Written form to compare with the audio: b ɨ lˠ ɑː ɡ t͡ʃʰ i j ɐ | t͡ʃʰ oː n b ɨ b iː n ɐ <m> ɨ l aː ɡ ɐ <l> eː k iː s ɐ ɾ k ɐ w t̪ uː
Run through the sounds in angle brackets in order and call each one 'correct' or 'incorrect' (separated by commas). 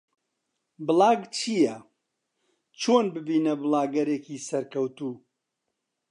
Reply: incorrect, incorrect